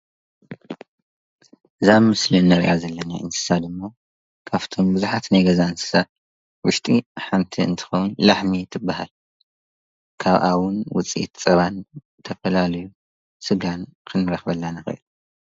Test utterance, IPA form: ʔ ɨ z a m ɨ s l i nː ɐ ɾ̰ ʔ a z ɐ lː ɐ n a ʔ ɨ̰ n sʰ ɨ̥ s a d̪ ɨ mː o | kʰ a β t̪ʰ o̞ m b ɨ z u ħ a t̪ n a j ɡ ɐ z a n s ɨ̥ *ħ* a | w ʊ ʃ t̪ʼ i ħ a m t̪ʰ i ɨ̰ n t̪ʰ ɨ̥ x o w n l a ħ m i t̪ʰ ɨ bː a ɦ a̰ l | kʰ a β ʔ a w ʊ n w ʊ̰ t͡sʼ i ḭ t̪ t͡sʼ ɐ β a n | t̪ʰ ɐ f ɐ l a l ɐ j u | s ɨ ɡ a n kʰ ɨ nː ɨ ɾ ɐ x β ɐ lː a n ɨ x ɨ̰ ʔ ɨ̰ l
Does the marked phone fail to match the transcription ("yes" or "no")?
yes